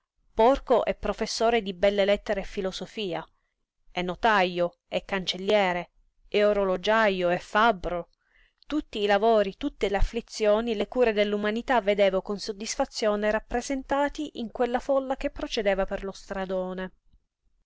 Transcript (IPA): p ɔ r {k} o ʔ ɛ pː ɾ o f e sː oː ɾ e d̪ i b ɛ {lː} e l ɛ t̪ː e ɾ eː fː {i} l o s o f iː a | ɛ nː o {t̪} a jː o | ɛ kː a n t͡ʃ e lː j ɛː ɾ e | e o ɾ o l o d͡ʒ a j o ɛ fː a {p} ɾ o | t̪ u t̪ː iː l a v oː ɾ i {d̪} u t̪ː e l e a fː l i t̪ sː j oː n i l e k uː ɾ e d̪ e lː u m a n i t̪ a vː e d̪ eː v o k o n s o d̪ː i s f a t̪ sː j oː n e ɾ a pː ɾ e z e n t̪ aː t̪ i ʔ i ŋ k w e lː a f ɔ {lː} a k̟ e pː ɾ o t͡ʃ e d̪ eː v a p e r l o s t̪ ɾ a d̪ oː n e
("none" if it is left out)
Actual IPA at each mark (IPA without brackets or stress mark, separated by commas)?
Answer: k, lː, i, t̪, b, t̪, lː